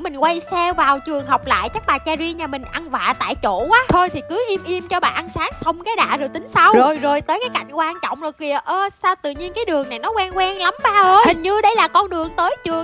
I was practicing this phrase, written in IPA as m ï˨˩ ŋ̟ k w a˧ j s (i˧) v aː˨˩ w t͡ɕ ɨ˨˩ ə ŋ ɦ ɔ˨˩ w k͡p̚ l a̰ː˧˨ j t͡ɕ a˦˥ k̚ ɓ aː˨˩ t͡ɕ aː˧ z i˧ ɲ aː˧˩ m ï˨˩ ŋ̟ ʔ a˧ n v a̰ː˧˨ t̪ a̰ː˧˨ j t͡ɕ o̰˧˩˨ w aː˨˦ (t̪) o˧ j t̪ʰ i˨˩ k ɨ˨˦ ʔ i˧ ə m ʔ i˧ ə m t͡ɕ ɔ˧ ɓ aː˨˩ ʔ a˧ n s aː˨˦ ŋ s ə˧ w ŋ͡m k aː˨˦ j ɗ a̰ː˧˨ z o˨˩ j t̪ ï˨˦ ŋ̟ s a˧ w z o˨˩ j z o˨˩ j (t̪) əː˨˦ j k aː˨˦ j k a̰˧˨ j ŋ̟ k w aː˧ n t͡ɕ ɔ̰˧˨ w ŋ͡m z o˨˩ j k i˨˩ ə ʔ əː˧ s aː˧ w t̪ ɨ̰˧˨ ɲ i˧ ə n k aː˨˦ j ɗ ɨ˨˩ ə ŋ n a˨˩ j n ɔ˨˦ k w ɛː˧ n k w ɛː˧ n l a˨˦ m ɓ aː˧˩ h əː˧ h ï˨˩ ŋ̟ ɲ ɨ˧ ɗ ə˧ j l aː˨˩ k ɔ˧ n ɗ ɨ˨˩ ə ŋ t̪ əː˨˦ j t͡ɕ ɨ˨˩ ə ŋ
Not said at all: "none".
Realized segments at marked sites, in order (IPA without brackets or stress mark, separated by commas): ɛ˧, t̪ʰ, t̪